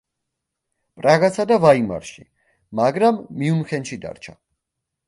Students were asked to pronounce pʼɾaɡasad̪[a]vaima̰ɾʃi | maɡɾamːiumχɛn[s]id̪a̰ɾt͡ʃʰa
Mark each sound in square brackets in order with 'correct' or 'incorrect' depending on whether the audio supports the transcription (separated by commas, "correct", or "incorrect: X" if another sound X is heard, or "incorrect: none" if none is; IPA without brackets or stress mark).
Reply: correct, incorrect: ʃ